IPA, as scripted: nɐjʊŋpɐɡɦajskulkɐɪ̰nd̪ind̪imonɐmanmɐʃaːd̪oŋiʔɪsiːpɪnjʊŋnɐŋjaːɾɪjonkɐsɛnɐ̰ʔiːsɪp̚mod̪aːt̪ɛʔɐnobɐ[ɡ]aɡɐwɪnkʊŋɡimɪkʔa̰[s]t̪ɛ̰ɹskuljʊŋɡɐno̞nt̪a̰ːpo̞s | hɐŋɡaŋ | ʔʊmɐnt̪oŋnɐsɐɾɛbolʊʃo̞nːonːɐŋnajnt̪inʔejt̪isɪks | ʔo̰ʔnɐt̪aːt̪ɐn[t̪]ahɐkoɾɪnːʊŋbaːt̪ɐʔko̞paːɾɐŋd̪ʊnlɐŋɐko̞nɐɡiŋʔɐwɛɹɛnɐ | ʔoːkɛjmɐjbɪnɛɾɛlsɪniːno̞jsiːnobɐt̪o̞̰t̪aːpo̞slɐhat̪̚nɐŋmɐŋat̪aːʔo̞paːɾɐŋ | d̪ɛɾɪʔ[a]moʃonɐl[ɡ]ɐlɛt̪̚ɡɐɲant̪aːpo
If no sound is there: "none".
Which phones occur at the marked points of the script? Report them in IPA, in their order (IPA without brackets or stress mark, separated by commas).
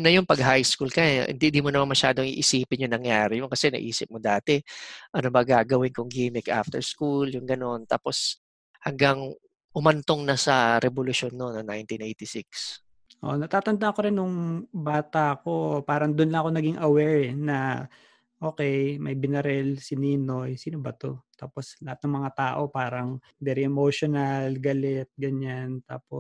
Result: ɡ, f, d̪, ɛ, ɡ